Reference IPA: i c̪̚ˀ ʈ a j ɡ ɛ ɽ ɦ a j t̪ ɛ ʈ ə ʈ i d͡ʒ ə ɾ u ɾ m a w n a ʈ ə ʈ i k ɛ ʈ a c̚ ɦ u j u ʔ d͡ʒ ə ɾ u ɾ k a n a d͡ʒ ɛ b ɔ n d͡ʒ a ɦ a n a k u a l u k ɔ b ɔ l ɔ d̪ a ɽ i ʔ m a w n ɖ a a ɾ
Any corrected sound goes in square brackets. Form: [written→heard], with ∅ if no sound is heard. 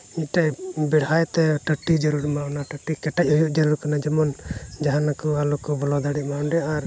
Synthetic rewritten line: i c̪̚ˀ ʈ a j [ɡ→b] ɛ ɽ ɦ a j t̪ ɛ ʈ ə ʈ i d͡ʒ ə ɾ u ɾ m a w n a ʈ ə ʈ i k ɛ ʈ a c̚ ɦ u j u ʔ d͡ʒ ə ɾ u ɾ k a n a d͡ʒ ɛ [b→m] ɔ n d͡ʒ a ɦ a n a k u a l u k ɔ b ɔ l ɔ d̪ a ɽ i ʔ m a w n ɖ [a→ɛ] a ɾ